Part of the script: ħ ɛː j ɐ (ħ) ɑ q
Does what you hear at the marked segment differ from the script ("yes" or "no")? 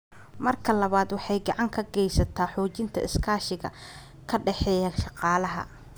yes